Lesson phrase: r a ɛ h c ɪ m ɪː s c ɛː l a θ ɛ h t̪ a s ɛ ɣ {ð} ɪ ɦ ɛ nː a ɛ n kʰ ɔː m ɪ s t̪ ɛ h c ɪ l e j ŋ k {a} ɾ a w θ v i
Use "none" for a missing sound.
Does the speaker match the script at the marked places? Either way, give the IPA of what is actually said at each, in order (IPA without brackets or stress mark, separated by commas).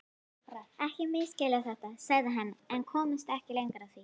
ð, a